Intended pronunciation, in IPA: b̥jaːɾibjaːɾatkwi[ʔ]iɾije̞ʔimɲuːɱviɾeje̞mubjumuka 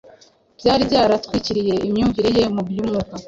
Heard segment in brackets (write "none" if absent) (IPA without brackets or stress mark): c